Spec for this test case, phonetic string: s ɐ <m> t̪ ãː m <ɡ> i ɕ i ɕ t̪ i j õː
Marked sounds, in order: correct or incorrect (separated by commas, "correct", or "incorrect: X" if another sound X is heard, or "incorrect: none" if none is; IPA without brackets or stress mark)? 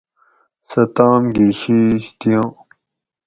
incorrect: none, correct